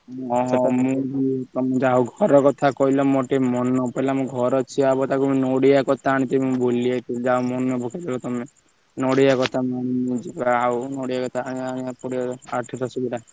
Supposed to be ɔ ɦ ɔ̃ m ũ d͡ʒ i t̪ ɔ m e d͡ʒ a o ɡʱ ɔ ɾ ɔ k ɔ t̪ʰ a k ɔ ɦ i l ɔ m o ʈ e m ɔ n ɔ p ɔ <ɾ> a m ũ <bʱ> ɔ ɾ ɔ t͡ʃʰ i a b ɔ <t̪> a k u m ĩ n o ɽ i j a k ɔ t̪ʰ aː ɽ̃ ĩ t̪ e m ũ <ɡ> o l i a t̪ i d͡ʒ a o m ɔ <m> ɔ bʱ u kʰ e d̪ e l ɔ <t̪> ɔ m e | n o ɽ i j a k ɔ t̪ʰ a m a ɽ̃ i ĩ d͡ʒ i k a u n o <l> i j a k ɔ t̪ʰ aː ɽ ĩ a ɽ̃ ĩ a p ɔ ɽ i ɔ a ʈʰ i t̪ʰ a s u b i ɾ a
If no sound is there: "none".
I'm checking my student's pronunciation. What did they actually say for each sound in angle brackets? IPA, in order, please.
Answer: l, ɡʱ, t̪, b, n, t̪, ɽ

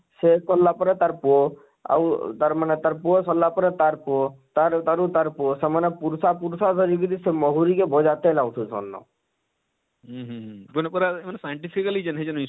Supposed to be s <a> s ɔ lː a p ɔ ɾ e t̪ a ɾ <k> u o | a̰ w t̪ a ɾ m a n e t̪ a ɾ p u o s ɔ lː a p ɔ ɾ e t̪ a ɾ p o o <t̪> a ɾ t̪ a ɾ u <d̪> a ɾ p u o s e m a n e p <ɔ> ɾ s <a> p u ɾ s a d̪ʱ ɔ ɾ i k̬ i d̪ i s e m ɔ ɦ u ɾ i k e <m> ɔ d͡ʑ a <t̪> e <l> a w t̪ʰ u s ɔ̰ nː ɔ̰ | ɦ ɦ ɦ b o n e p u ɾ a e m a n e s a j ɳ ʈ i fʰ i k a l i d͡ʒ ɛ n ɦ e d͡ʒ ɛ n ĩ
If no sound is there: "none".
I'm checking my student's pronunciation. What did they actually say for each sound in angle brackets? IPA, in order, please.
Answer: e, p, t̪, t̪, u, a, b, t̪, l

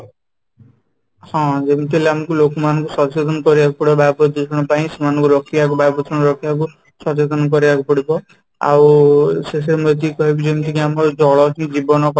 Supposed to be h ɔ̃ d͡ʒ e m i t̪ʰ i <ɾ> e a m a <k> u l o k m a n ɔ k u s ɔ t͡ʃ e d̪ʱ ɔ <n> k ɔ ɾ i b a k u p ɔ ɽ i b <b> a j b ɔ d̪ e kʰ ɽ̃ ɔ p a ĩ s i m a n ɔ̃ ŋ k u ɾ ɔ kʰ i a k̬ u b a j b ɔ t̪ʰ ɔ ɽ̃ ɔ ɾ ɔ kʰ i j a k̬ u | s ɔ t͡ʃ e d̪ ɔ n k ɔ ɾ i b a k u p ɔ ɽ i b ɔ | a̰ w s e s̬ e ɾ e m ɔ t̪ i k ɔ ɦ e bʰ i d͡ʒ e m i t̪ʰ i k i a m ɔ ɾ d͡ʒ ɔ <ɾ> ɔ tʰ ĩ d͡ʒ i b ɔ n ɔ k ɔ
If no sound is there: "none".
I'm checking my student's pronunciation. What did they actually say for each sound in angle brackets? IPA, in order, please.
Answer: l, k, n, b, ɭ

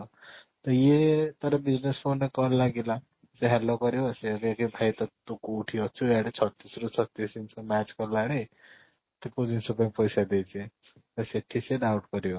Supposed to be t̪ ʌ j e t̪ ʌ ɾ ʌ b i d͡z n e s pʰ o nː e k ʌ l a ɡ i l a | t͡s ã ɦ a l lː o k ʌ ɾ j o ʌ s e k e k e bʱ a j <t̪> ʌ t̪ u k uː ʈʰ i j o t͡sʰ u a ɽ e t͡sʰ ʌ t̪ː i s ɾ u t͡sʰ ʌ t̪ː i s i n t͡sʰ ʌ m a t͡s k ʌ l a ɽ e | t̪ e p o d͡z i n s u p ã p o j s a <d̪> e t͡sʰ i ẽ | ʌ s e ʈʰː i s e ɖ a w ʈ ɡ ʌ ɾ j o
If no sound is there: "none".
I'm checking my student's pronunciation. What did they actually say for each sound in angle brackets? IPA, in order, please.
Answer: t̪, d̪

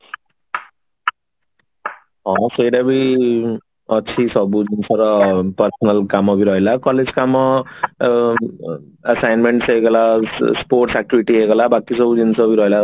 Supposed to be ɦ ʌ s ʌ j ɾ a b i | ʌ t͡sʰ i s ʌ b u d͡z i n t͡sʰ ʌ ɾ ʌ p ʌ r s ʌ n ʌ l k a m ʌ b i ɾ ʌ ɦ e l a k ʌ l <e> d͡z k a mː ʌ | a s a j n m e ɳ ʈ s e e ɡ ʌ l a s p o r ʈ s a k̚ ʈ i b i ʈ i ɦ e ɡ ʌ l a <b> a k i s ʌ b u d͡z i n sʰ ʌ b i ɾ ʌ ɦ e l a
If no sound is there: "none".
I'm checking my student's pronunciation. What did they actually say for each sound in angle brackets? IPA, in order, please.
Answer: e, b

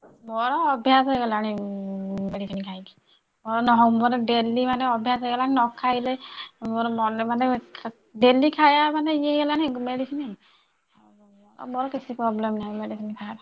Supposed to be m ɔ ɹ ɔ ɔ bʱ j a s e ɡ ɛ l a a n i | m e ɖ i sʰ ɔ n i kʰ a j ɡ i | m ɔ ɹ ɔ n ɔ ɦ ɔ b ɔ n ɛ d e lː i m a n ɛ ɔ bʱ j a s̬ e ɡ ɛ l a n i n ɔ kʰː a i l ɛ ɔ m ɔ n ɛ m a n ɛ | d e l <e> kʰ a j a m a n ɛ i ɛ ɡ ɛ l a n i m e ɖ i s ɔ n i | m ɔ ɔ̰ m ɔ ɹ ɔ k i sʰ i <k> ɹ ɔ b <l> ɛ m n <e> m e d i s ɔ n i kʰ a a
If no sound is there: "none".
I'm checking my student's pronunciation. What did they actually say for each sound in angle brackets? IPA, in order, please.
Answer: i, p, l, a

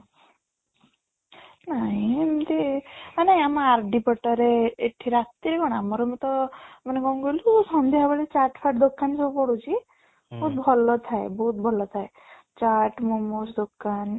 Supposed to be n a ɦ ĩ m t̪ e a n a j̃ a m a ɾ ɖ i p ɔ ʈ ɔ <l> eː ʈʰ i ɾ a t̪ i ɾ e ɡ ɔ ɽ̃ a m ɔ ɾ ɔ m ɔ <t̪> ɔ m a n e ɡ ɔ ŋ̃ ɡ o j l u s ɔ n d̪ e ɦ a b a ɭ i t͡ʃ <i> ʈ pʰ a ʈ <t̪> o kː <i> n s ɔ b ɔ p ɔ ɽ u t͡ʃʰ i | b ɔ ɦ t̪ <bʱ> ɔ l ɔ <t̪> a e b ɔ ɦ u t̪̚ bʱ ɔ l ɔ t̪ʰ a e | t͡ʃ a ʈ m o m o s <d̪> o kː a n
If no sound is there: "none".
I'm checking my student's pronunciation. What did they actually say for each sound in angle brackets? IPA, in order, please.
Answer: ɾ, t̪, a, d̪, a, bʱ, t̪ʰ, d̪

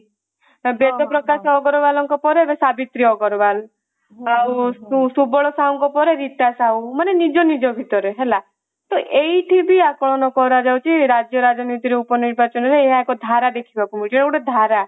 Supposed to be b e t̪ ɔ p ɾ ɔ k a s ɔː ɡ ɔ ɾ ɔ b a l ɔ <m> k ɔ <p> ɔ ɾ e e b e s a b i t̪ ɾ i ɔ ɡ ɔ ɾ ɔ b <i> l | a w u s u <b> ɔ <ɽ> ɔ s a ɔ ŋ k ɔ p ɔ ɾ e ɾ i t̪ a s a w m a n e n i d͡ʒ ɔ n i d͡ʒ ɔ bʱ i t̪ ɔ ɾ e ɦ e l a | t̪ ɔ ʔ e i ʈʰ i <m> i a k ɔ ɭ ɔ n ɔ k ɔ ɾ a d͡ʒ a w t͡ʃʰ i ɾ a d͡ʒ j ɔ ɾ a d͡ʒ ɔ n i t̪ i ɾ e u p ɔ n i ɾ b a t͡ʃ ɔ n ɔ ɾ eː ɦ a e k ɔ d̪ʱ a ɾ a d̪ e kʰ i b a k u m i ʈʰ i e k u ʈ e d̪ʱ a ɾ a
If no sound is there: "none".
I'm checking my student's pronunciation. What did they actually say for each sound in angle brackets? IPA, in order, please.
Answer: ŋ, p, a, b, ɭ, b

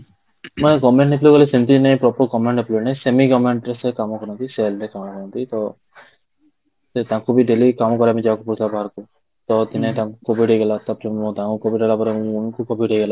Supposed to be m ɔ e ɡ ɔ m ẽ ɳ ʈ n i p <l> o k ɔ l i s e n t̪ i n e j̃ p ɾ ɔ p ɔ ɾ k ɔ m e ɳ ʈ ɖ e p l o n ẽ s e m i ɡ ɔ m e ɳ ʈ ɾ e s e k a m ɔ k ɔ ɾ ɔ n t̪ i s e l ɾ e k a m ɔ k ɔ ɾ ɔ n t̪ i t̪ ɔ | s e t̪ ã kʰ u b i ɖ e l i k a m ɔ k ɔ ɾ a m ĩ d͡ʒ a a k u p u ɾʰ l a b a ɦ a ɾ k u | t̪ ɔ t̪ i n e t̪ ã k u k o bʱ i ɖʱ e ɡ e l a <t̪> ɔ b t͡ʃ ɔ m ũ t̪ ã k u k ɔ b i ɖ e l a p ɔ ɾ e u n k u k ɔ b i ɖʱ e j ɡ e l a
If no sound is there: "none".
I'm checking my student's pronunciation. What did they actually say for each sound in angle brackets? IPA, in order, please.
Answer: l, t̪

